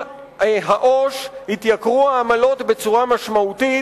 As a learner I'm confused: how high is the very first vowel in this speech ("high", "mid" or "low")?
low